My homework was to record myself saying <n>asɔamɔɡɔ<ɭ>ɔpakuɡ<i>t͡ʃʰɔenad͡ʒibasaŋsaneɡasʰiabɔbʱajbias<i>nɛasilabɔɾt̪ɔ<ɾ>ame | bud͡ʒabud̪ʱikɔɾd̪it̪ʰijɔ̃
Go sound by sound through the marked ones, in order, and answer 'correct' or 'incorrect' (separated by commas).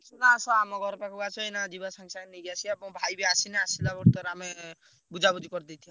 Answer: correct, incorrect, incorrect, correct, correct